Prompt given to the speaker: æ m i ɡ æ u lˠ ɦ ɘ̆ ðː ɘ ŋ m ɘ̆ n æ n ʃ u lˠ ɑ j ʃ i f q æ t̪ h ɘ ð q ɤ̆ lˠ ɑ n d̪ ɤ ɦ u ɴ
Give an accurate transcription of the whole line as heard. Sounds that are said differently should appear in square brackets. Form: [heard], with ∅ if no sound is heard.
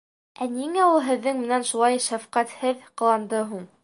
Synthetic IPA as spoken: æ [n] i [ŋ] æ u lˠ ɦ ɘ̆ ðː ɘ ŋ m ɘ̆ n æ n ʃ u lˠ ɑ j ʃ [æ] f q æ t̪ h ɘ ð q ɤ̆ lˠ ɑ n d̪ ɤ ɦ u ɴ